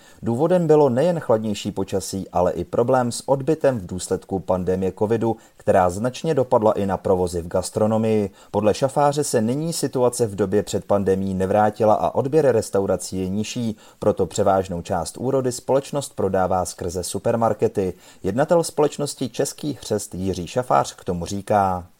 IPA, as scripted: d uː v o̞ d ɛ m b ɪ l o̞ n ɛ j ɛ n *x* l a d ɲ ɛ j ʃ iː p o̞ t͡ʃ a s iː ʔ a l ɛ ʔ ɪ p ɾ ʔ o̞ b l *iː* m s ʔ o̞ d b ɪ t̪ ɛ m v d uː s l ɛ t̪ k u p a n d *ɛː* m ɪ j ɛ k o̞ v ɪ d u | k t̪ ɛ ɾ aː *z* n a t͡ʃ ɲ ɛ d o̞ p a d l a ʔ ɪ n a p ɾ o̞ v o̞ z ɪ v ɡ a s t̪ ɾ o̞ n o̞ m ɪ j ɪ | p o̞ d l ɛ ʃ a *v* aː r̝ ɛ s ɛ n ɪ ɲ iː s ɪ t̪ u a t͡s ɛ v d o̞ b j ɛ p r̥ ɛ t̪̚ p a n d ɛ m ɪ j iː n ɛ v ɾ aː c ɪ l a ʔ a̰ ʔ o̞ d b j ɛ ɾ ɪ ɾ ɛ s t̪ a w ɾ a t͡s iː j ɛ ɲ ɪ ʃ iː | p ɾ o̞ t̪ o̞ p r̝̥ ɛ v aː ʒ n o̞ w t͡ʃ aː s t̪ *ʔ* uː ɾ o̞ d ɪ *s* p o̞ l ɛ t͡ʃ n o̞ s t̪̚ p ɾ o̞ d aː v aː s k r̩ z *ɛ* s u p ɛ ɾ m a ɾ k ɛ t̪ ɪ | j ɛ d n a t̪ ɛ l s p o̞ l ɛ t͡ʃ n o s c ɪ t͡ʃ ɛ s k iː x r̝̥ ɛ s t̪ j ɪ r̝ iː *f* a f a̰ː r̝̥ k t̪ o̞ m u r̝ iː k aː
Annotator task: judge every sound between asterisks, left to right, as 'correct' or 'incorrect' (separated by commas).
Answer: correct, incorrect, incorrect, correct, incorrect, correct, correct, correct, incorrect